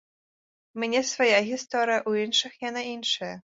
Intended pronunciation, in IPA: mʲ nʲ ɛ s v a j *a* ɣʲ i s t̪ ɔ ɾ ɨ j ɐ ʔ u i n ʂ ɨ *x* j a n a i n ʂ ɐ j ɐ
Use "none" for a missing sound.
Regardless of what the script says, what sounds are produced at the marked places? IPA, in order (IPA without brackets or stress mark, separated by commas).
a, x